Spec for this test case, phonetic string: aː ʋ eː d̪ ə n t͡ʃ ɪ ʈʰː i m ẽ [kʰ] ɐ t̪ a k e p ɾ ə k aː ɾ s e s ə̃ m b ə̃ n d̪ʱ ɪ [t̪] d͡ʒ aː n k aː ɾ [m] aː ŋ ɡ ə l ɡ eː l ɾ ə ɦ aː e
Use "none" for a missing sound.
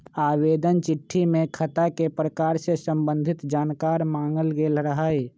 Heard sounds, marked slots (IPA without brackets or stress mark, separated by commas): kʰ, t̪, m